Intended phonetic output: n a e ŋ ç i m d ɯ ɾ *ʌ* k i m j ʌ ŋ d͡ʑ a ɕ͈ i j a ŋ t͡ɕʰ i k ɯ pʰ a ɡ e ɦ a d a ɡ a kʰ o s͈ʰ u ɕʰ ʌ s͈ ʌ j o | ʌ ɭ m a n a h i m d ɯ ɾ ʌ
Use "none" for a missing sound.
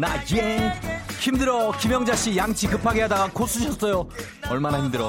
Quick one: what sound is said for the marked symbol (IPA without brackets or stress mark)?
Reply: ʌ